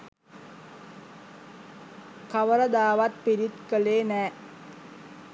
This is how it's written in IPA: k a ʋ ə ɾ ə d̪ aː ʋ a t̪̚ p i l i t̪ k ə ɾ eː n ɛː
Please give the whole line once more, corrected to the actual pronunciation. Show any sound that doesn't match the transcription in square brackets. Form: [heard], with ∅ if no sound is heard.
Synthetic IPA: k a ʋ ə ɾ ə d̪ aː ʋ a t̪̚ p i [ɾ] i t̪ k ə [l] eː n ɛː

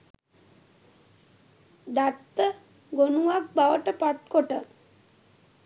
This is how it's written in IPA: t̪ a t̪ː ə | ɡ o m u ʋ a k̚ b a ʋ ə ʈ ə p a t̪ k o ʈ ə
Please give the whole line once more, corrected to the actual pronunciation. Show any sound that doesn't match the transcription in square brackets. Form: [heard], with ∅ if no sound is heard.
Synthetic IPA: [d̪] a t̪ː ə | ɡ o [n] u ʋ a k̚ b a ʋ ə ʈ ə p a t̪ k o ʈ ə

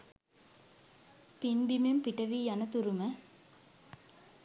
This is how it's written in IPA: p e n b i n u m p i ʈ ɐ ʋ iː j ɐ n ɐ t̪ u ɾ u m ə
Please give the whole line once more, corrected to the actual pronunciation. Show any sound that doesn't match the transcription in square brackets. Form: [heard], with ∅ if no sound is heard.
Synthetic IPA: p [i] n b i [m] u m p i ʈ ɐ ʋ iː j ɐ n ɐ t̪ u ɾ u m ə

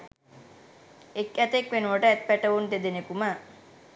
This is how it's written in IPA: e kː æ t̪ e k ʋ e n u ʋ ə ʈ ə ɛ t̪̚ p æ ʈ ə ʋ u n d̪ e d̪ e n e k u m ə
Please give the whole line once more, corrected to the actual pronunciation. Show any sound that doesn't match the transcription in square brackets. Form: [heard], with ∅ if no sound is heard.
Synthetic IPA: e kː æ t̪ e k ʋ e n u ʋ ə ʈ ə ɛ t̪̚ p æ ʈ ə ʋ u n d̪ e d̪ e n e k u m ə

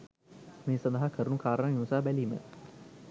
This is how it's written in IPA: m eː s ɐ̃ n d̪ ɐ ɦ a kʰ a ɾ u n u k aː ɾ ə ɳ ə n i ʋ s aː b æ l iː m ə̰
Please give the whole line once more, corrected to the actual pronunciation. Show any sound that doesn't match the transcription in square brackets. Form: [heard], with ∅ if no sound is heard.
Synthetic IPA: m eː s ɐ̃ n d̪ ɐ ɦ a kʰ [ə] ɾ u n u k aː ɾ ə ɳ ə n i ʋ s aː b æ l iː m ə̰

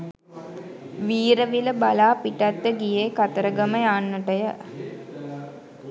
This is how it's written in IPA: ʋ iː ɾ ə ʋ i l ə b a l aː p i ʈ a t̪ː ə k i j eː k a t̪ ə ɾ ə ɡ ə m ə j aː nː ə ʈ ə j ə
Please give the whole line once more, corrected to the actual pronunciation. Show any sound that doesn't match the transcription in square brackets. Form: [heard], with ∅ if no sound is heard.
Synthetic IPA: ʋ iː ɾ ə ʋ i l ə b a l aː p i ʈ a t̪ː ə [ɡ] i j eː k a t̪ ə ɾ ə ɡ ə m ə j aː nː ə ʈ ə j ə

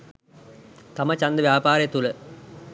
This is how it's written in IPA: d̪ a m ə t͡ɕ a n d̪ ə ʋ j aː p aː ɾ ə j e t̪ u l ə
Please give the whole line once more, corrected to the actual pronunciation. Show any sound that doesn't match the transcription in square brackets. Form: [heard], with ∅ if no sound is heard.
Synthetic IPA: [t̪] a m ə t͡ɕ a n d̪ ə ʋ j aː p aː ɾ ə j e t̪ u l ə

